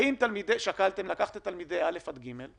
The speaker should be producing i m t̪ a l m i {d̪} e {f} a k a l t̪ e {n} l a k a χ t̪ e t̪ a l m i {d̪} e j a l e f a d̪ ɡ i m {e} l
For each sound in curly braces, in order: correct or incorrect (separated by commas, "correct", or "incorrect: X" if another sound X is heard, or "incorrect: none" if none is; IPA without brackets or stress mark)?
correct, incorrect: ʃ, incorrect: m, correct, correct